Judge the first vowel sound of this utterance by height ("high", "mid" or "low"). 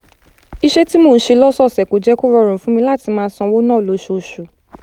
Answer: high